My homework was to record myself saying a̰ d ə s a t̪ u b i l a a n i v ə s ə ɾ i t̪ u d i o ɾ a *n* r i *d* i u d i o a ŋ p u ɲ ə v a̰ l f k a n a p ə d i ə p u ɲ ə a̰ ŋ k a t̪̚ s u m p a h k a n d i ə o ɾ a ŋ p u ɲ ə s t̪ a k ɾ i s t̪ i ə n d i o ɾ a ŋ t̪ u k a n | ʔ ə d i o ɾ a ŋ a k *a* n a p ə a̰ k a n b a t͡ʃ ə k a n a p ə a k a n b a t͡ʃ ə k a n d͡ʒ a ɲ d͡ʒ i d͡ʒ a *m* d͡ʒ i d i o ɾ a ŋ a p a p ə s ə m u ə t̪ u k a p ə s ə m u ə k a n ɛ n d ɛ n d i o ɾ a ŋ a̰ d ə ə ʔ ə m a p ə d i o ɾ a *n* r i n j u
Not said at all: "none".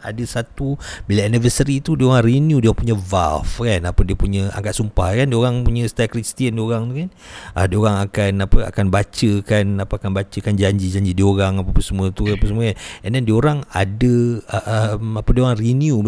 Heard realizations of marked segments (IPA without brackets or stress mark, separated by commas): ŋ, n, a, ɲ, ŋ